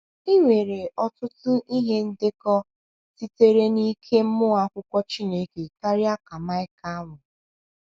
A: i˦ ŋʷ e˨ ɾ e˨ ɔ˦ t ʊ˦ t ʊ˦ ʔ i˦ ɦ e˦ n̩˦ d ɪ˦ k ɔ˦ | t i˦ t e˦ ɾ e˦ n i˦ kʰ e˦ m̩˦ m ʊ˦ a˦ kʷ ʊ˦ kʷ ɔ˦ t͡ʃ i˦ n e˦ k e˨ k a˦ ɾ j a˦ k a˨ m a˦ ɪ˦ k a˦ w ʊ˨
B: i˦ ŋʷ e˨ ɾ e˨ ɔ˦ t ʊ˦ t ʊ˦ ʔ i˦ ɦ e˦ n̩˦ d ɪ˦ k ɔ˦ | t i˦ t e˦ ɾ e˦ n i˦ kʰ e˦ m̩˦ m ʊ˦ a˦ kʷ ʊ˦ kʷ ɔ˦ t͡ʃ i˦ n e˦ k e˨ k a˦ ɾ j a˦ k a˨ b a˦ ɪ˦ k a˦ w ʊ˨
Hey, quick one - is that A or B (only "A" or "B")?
A